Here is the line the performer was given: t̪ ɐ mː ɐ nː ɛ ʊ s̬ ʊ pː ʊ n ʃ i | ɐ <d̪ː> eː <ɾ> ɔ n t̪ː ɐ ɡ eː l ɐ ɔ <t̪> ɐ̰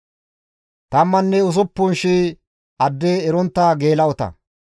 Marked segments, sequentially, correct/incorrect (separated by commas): correct, correct, correct